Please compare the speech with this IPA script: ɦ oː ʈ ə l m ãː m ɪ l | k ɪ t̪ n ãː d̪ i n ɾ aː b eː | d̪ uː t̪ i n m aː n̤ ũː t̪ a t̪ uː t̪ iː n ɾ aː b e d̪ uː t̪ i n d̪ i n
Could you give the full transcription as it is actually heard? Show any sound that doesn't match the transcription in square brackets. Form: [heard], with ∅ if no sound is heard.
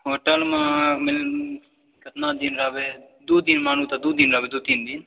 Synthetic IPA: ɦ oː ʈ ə l m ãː m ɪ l | k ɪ t̪ n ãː d̪ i n ɾ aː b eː | d̪ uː [d̪] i n m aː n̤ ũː t̪ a [d̪] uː [d̪] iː n ɾ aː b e d̪ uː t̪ i n d̪ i n